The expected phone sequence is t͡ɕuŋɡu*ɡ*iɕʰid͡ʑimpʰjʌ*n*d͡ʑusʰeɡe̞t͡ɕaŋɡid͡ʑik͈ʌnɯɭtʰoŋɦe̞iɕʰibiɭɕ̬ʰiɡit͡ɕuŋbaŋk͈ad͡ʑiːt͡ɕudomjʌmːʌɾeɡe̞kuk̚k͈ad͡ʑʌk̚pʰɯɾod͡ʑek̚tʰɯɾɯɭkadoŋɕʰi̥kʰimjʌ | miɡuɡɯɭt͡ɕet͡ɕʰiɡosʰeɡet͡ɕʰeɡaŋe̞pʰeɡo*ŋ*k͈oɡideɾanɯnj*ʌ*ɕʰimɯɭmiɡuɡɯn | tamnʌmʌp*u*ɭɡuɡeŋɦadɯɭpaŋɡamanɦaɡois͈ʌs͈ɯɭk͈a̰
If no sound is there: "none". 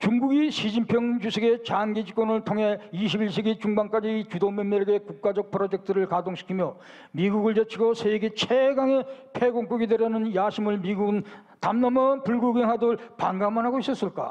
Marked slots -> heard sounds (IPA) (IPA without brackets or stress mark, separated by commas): ɡ, ŋ, ŋ, a, u